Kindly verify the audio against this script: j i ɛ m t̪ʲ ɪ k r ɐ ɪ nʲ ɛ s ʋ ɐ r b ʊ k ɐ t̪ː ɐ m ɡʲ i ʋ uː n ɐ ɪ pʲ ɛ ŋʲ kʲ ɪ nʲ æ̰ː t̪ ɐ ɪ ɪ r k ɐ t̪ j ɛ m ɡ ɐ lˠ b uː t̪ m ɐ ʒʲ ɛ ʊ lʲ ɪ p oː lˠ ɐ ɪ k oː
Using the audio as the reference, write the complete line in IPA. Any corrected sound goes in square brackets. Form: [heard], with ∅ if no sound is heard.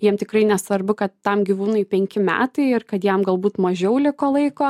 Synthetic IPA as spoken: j i ɛ m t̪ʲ ɪ k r ɐ ɪ nʲ ɛ s ʋ ɐ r b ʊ k ɐ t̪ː ɐ m ɡʲ i ʋ uː n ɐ ɪ pʲ ɛ ŋʲ kʲ ɪ [mʲ] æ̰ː t̪ ɐ ɪ ɪ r k ɐ t̪ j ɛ m ɡ ɐ lˠ b uː t̪ m ɐ ʒʲ ɛ ʊ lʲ ɪ [k] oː lˠ ɐ ɪ k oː